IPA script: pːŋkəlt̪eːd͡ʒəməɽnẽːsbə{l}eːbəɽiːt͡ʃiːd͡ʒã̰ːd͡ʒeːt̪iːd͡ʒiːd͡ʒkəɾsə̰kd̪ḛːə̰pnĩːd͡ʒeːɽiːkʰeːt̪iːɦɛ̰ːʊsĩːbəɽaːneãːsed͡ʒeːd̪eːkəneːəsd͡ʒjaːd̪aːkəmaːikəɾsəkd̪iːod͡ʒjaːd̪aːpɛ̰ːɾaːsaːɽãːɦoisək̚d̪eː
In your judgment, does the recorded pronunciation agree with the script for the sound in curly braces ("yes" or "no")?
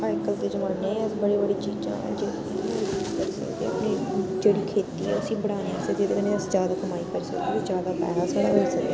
no